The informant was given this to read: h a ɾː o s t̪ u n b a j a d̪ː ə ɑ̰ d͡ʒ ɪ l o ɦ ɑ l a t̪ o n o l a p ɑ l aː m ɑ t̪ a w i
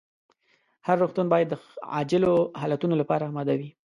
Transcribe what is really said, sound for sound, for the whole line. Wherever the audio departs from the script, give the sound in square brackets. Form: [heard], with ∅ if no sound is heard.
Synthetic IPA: h a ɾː o [x] t̪ u n b [ɑ] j a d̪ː ə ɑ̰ d͡ʒ ɪ l o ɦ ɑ l a t̪ [u] n o l a p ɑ [ɾ] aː m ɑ [d̪] a w i